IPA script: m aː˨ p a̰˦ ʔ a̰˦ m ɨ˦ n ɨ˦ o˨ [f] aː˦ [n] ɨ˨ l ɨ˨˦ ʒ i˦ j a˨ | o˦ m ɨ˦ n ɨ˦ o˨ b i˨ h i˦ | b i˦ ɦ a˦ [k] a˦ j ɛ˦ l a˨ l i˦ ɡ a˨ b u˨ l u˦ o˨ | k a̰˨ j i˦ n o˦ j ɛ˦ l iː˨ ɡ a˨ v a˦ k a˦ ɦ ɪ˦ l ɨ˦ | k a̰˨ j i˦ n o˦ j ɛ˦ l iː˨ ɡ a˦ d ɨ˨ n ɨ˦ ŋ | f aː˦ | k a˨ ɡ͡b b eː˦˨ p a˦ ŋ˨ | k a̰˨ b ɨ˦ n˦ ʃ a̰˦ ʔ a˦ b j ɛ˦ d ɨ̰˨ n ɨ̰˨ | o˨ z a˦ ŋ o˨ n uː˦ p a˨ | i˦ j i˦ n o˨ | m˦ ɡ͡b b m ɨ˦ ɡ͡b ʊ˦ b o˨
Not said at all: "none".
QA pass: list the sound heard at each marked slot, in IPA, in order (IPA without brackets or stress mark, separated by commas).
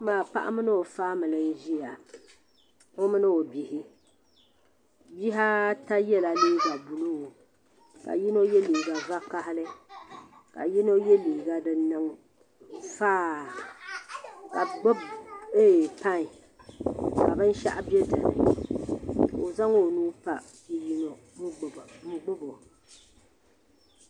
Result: f, m, t